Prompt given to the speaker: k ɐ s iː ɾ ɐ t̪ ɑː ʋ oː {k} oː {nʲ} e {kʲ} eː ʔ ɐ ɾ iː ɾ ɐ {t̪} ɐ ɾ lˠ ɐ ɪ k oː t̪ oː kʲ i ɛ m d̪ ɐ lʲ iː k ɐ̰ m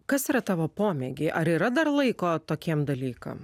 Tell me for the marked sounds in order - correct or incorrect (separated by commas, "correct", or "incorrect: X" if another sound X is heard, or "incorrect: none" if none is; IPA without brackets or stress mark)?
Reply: incorrect: p, incorrect: mʲ, incorrect: ɡʲ, incorrect: d̪